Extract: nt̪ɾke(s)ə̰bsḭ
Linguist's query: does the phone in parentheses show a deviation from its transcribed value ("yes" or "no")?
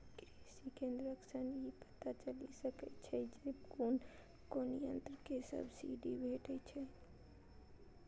no